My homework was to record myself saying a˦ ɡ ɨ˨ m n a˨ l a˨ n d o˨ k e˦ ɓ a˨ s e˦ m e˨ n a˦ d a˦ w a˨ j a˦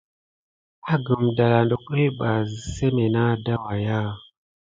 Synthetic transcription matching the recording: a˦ ɡ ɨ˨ m d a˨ l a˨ n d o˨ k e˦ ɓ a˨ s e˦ m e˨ n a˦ d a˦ w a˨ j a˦